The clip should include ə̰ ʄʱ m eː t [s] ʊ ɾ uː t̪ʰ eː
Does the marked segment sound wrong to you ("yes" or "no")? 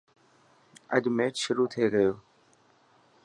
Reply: yes